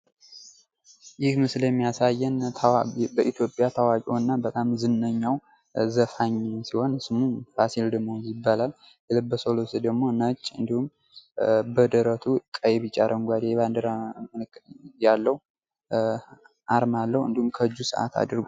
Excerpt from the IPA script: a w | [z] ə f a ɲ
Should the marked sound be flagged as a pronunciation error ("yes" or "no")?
no